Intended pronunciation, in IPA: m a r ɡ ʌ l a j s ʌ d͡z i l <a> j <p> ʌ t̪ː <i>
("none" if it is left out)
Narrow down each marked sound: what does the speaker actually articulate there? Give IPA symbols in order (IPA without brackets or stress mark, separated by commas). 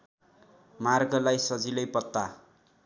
ʌ, p, a